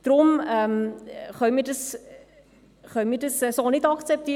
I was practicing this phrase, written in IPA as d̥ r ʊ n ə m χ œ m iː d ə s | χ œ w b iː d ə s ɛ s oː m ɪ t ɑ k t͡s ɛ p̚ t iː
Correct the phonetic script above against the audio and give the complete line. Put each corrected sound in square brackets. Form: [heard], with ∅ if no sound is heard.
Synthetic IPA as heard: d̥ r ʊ [m] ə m χ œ m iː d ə s | χ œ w [m] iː d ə s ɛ s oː [n] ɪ t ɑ k t͡s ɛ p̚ t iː